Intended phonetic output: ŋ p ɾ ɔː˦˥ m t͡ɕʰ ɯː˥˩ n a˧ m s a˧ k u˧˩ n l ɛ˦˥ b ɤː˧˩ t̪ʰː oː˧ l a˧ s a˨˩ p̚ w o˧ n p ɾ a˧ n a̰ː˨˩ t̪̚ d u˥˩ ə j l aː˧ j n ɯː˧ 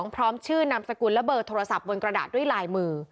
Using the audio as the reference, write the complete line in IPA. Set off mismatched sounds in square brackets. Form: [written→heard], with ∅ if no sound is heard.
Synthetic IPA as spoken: ŋ [p→pʰ] ɾ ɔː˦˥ m t͡ɕʰ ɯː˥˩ n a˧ m s a˧ k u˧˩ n l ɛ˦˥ b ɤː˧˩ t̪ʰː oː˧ [l→ɾ] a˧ s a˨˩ p̚ w o˧ n [p→k] ɾ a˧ [n→d] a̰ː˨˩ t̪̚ d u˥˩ ə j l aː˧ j [n→m] ɯː˧